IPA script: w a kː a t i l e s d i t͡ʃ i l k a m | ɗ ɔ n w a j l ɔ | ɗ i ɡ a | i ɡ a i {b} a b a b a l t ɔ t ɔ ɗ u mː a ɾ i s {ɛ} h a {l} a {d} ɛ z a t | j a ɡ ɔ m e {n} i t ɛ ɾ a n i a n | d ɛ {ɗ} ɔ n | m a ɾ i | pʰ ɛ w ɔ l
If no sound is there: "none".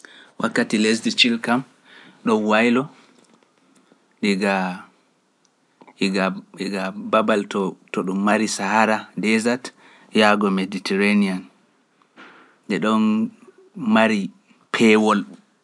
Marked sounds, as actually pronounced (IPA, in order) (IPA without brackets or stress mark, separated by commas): ɡ, a, ɾ, d, d, ɗ